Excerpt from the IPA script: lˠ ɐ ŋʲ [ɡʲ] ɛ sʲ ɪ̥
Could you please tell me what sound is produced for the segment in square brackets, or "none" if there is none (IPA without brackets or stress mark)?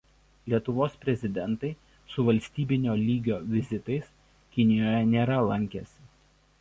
kʲ